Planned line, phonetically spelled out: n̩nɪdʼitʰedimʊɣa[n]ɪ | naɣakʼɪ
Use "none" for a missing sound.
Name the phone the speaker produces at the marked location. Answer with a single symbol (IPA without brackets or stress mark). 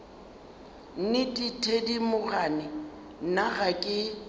n